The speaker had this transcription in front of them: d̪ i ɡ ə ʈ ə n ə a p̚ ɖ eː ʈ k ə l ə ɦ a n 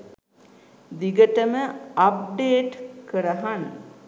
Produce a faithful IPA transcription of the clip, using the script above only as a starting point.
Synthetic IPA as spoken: d̪ i ɡ ə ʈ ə m ə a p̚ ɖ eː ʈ k ə ɾ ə ɦ a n